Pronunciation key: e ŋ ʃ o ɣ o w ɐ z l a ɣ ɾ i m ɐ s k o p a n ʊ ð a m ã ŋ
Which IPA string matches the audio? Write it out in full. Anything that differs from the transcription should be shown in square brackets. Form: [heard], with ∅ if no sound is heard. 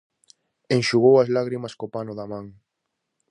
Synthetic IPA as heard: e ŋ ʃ [u] ɣ o w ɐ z l a ɣ ɾ i m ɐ s k o p a n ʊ ð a m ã ŋ